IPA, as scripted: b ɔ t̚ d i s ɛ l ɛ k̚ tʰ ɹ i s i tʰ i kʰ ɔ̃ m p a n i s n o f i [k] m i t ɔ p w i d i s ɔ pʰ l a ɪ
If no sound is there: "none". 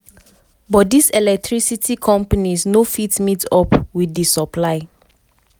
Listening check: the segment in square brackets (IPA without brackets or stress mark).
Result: t